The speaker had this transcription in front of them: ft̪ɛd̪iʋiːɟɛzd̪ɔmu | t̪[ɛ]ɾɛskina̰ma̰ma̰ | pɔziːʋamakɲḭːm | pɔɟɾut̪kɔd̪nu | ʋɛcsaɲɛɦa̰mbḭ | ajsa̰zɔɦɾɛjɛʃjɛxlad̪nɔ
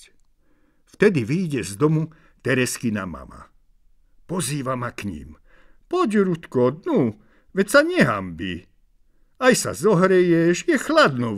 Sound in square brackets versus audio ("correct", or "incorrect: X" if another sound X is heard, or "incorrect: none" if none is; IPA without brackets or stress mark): correct